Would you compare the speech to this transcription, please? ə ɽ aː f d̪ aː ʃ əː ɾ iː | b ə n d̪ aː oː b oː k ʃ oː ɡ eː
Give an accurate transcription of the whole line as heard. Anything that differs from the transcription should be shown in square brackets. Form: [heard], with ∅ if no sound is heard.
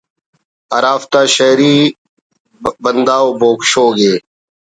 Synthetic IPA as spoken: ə [ɾ] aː f [t̪] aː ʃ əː ɾ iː | b ə n d̪ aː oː b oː k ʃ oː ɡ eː